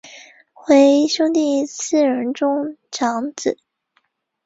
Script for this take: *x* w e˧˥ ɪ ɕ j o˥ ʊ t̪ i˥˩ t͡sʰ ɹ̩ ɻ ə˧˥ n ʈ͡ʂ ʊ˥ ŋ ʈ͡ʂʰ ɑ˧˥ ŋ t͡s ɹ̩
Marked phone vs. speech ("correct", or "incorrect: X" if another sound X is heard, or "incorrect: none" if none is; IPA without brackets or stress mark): correct